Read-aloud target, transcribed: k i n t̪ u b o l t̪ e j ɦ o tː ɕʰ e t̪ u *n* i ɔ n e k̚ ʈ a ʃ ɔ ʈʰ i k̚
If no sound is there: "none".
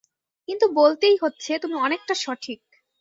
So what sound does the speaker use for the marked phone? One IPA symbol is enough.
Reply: m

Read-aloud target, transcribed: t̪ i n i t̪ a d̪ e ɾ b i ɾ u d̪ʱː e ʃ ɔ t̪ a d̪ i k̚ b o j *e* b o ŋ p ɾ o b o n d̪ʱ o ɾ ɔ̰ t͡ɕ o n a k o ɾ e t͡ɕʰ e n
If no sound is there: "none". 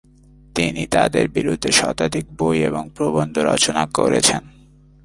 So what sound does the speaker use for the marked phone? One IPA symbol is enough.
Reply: e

